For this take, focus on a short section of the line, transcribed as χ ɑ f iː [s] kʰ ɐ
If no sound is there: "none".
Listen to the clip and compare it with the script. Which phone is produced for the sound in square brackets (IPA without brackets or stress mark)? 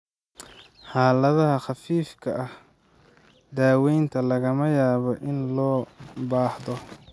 f